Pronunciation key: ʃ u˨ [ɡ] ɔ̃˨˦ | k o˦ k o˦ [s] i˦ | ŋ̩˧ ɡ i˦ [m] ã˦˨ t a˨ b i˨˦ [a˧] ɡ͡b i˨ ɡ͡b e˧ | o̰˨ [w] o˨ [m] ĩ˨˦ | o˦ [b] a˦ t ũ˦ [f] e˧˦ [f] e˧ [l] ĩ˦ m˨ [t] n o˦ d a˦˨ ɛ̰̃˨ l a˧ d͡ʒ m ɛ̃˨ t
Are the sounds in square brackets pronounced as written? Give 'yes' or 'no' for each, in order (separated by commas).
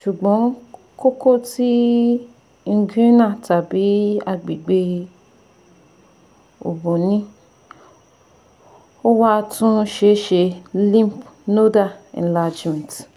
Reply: no, no, no, yes, no, no, no, no, no, yes, no